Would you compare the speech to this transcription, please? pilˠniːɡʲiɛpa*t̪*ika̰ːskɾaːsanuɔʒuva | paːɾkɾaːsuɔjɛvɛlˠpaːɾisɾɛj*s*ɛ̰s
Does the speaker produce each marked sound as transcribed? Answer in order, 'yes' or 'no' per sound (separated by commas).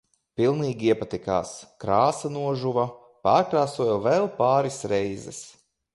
yes, no